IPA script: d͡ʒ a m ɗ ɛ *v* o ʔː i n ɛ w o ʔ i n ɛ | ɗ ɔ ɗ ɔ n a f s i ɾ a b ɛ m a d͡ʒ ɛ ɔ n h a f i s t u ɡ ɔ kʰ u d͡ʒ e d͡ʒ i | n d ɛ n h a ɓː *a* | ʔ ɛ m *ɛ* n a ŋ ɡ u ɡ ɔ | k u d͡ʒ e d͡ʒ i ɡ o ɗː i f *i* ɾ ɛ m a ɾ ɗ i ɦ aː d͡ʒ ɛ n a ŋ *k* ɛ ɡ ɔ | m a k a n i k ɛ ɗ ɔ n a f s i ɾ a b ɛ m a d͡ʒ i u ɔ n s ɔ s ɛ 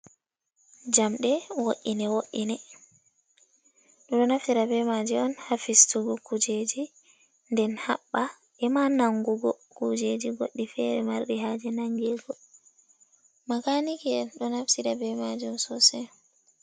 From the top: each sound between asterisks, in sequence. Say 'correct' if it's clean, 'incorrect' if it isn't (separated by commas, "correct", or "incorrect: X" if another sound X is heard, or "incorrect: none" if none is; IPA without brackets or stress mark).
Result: incorrect: w, correct, incorrect: a, incorrect: ɛ, incorrect: ɡ